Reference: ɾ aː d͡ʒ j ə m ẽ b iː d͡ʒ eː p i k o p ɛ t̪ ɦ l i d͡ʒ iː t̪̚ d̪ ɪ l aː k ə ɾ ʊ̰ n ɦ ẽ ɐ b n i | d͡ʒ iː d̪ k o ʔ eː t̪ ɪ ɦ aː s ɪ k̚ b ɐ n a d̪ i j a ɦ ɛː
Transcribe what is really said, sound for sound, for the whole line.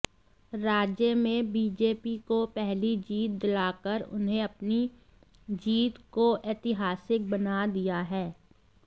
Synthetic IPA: ɾ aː d͡ʒ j ə m ẽ b iː d͡ʒ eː p i k o p ɛ ɦ l i d͡ʒ iː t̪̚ d̪ ɪ l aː k ə ɾ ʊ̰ n ɦ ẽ ɐ p n i | d͡ʒ iː t̪ k o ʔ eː t̪ ɪ ɦ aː s ɪ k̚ b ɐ n a d̪ i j a ɦ ɛː